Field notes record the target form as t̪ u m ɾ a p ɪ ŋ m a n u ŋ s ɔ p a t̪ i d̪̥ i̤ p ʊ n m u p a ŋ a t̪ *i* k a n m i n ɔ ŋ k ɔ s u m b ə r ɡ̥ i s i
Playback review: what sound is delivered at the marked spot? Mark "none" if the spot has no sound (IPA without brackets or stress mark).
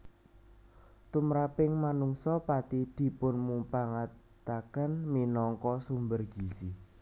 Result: a